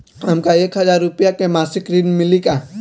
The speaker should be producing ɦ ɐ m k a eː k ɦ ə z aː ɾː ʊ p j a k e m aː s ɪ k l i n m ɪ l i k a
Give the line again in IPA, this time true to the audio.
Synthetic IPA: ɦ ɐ m k a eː k ɦ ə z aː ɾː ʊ p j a k e m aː s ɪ k ɾ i n m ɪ l i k a